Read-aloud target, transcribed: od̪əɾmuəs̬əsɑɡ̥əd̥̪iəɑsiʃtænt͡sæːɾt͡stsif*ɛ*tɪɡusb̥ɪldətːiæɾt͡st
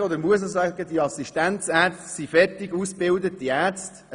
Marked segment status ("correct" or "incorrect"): correct